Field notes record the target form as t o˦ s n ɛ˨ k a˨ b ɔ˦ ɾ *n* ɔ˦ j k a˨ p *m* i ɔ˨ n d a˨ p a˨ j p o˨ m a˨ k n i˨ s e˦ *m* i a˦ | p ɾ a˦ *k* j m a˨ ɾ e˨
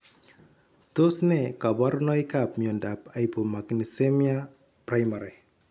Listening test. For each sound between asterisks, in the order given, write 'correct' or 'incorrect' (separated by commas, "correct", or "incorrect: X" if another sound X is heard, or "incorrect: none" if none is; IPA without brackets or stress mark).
correct, correct, correct, incorrect: none